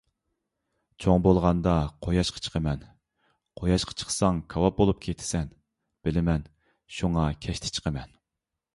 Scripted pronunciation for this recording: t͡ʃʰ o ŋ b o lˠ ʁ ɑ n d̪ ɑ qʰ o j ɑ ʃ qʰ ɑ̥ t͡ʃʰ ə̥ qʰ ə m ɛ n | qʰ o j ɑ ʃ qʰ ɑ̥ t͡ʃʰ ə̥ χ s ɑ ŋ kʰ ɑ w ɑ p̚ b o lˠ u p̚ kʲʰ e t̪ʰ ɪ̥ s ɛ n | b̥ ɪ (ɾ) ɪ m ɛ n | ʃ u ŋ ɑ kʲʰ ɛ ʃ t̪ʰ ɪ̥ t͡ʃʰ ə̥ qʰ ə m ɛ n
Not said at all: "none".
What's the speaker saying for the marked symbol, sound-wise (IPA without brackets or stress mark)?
l